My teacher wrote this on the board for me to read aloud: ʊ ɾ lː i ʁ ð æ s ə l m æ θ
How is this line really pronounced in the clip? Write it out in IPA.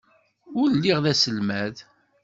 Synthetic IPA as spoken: ʊ ɾ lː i ʁ ð æ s ə l m æ ð